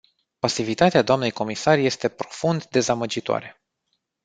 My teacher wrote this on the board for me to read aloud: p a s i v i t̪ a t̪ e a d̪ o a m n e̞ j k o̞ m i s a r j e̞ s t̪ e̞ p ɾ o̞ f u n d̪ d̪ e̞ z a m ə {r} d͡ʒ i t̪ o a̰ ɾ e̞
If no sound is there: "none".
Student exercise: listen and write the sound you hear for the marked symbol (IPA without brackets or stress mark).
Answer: none